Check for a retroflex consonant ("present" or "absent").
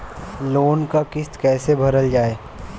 absent